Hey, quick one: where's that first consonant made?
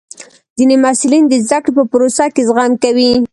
tongue tip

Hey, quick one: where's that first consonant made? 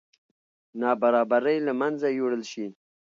tongue tip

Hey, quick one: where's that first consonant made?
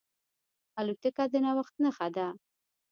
tongue tip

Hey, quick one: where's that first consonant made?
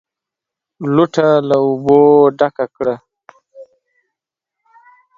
tongue tip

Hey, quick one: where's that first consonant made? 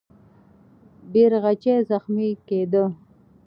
lips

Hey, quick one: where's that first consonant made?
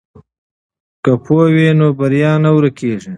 velum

